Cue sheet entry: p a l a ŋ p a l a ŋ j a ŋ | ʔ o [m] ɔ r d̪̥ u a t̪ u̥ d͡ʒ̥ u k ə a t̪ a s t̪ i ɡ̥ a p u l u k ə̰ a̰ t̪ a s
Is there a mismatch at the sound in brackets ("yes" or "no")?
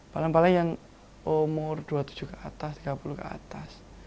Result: no